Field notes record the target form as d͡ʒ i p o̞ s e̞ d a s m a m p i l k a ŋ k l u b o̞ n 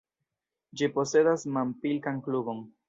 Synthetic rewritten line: d͡ʒ i p o̞ s e̞ d a s m a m p i l k a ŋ k l u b o̞ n

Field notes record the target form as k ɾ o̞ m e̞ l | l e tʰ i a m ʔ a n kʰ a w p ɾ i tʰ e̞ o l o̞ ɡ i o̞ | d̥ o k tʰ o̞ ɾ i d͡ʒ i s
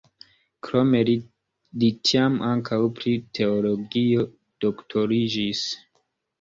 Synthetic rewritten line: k ɾ o̞ m e̞ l | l i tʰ i a m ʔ a ŋ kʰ a w p ɾ i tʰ e̞ o l o̞ ɡ i o̞ | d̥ o k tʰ o̞ ɾ i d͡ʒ i s

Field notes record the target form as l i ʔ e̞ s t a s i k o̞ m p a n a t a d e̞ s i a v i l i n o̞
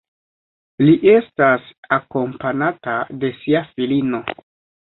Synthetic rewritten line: l i ʔ e̞ s t a s a k o̞ m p a n a t a d e̞ s i a f i l i n o̞

